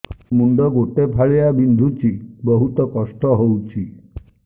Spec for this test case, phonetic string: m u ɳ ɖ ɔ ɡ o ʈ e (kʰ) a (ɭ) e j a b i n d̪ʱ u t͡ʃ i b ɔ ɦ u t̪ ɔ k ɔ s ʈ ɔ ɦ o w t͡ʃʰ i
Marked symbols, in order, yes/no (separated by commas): no, yes